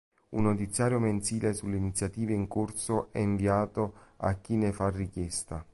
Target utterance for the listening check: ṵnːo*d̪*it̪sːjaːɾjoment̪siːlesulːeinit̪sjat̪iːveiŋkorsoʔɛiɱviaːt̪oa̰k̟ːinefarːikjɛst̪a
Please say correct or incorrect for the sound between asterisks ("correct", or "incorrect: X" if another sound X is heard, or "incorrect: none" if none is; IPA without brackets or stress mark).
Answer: incorrect: t̪